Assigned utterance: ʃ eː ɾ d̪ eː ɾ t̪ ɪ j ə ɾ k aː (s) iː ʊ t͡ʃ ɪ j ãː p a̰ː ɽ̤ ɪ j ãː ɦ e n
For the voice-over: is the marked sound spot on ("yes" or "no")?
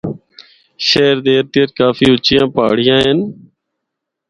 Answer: no